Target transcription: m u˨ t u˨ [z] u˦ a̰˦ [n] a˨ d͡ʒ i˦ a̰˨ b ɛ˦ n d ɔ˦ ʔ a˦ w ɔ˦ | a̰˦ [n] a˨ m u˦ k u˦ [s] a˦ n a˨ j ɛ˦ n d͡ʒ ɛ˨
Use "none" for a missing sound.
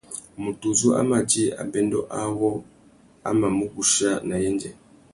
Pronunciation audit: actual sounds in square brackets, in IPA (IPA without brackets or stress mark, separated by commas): z, m, m, ʃ